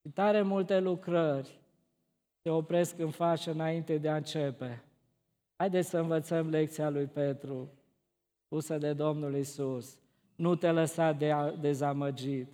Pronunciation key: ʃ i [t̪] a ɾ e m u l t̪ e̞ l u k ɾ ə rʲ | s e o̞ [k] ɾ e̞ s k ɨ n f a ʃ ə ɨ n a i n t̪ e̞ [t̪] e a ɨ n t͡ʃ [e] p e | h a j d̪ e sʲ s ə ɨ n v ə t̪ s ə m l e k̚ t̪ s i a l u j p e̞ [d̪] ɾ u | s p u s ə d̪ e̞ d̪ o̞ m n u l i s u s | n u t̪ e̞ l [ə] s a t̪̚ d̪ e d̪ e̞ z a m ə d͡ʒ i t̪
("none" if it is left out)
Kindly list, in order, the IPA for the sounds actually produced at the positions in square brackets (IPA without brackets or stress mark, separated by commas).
t̪, p, d̪, e, t̪, ə